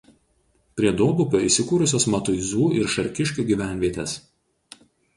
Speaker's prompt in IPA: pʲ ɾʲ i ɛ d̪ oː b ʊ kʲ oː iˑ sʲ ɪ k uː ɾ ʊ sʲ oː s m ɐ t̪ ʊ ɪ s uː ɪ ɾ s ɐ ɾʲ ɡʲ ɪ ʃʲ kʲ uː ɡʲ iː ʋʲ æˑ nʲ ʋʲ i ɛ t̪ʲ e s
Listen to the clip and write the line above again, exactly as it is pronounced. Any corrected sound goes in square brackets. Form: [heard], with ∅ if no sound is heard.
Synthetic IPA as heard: pʲ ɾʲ i ɛ d̪ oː b ʊ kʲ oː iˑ sʲ ɪ k uː ɾ ʊ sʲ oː s m ɐ t̪ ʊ ɪ [z] uː ɪ ɾ [ʃ] ɐ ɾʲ [kʲ] ɪ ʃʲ kʲ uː ɡʲ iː ʋʲ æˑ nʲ ʋʲ i ɛ t̪ʲ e s